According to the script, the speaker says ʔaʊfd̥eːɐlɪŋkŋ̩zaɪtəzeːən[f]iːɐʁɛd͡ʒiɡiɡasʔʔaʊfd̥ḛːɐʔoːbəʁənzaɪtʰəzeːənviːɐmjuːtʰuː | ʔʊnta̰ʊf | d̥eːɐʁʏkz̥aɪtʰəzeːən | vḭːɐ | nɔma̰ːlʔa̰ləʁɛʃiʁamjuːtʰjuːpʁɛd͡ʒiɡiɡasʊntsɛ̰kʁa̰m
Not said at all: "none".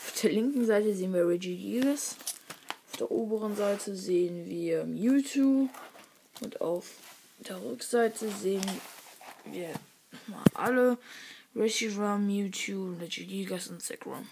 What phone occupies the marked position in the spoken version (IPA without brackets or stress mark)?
v